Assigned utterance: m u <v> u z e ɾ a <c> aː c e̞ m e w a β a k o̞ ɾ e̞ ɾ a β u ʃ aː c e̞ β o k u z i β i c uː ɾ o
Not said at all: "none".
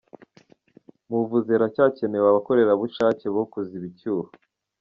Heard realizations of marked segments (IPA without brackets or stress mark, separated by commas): v, c